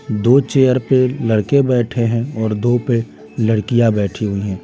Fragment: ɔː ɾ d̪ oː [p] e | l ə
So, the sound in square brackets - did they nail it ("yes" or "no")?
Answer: yes